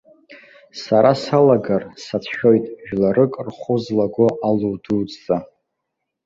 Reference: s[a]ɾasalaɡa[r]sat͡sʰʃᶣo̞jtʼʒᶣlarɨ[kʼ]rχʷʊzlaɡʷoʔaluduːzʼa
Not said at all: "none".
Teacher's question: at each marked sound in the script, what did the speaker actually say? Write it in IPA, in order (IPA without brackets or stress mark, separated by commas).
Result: a, r, kʼ